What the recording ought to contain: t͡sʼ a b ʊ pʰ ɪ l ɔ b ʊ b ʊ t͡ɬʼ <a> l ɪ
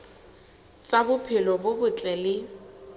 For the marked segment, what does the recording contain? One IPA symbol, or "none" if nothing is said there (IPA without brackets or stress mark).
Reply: ɛ